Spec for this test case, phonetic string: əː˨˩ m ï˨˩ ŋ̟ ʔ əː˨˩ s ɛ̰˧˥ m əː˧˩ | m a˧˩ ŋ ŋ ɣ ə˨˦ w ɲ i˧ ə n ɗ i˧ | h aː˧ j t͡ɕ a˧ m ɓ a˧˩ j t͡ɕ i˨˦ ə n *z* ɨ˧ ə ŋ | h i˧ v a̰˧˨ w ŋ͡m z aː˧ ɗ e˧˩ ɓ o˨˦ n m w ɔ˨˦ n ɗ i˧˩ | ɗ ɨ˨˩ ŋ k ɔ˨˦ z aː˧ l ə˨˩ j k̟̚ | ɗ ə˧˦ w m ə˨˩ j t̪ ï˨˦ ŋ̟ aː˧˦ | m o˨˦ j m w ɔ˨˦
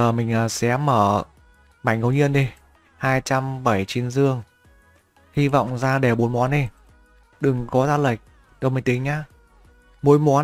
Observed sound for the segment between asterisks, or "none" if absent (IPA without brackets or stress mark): z